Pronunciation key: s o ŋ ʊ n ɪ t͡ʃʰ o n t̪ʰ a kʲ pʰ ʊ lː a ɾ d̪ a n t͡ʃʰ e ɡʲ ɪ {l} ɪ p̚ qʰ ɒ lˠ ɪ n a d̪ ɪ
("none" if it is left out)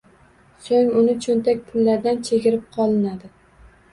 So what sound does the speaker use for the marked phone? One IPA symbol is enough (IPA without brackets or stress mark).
ɾ